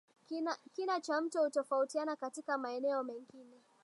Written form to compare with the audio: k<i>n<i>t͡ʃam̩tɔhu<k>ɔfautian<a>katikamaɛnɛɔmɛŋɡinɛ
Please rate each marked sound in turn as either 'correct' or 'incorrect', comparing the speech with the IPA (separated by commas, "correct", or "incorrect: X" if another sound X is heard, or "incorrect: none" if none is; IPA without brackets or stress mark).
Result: correct, incorrect: a, incorrect: t, correct